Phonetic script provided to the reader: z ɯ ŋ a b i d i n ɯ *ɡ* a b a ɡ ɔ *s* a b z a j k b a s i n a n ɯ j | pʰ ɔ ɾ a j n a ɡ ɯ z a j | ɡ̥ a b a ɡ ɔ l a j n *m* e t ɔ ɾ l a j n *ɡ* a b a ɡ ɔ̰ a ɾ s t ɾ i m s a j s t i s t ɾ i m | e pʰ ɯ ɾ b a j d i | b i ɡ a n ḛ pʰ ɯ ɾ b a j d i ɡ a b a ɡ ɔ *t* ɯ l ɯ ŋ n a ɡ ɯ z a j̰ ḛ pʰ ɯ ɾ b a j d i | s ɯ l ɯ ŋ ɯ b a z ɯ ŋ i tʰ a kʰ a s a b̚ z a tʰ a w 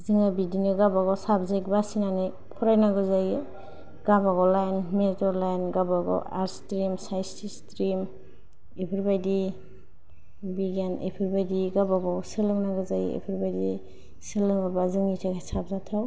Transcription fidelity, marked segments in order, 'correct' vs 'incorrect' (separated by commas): correct, correct, correct, correct, incorrect